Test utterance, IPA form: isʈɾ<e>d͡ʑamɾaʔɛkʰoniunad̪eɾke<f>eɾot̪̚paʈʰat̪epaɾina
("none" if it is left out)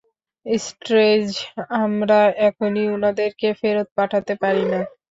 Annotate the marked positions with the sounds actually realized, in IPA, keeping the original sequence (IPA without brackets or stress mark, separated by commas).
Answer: e, f